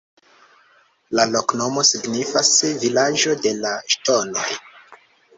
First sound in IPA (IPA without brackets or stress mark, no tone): l